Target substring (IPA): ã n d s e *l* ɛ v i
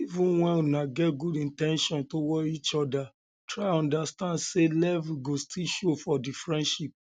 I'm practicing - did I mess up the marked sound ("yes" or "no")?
no